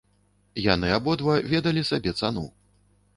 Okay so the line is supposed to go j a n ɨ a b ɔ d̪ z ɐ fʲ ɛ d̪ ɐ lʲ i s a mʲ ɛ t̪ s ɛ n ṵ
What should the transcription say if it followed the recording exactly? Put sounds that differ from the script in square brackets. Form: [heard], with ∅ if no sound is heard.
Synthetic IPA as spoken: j a n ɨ a b ɔ d̪ [v] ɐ [vʲ] ɛ d̪ ɐ lʲ i s a [bʲ] ɛ t̪ s [a] n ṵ